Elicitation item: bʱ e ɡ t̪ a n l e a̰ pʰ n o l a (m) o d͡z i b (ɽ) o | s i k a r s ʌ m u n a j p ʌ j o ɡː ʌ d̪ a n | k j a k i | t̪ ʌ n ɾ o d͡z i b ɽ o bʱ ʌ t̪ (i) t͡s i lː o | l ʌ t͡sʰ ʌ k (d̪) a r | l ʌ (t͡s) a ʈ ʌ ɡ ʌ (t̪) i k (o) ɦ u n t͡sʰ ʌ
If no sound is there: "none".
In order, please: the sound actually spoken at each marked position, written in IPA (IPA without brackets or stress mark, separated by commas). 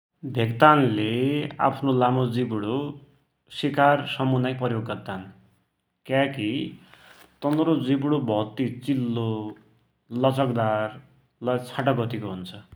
m, ɽ, i, d̪, t͡sʰ, t̪, o